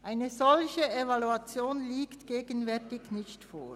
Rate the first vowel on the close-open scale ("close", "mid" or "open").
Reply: open